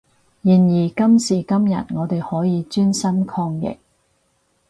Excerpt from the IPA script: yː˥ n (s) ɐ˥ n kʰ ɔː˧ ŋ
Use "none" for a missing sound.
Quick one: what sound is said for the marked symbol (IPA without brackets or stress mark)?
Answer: s